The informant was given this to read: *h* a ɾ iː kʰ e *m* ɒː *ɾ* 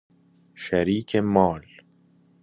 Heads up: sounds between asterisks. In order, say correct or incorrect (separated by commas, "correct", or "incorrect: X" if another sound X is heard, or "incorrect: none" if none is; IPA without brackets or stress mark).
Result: incorrect: ʃ, correct, incorrect: l